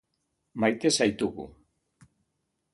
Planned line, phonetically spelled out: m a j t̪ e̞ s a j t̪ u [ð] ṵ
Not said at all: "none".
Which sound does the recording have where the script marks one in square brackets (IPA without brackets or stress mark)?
ɣ